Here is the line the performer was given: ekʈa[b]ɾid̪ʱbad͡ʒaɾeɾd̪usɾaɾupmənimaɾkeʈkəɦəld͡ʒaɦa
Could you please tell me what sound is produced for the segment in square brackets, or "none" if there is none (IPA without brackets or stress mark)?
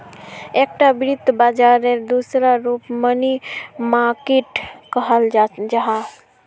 b